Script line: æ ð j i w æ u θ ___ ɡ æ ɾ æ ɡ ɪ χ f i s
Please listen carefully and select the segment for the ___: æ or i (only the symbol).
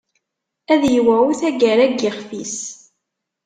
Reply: æ